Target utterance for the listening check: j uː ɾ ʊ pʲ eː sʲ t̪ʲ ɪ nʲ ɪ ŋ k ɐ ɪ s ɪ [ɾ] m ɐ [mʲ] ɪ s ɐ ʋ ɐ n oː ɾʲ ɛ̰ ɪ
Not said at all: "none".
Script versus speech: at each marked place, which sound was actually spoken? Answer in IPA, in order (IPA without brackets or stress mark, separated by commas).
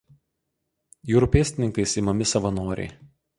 none, mʲ